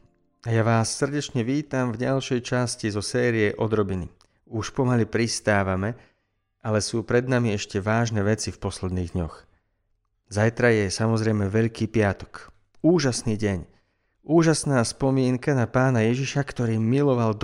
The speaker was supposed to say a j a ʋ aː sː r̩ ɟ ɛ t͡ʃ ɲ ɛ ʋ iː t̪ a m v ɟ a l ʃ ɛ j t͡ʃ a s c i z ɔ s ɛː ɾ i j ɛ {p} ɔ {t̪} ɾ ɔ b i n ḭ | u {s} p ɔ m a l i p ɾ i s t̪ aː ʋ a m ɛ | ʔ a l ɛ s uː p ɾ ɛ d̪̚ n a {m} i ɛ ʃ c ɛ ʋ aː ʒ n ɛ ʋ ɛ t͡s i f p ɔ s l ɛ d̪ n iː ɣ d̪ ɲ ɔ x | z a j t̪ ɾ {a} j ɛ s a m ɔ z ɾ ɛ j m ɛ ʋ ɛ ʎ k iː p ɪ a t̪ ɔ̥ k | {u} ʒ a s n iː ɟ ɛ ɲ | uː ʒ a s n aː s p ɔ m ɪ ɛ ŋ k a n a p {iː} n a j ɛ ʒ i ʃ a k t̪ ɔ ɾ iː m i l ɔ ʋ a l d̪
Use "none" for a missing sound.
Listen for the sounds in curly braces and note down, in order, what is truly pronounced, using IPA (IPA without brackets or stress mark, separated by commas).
ʔ, d̪, ʃ, m, a, uː, aː